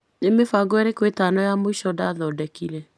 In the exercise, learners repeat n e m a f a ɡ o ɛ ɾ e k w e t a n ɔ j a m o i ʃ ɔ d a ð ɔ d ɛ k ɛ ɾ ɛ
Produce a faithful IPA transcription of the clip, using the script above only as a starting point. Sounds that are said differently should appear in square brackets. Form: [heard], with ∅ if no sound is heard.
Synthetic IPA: n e m [e] f a ɡ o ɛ ɾ e k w e t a n ɔ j a m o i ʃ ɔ d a ð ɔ d ɛ k [i] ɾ ɛ